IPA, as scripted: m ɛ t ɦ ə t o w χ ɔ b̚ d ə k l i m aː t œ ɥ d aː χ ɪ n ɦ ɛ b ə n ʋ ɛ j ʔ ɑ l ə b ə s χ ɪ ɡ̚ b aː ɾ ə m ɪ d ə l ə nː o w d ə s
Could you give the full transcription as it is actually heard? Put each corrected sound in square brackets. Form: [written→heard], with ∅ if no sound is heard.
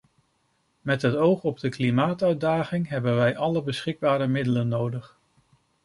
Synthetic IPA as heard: m ɛ t ɦ ə t o w χ ɔ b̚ d ə k l i m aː t œ ɥ d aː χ ɪ [n→ŋ] ɦ ɛ b ə n ʋ ɛ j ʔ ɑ l ə b ə s χ ɪ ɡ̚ b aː ɾ ə m ɪ d ə l ə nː o w d ə [s→χ]